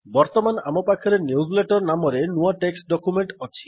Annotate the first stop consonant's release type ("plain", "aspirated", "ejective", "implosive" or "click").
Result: plain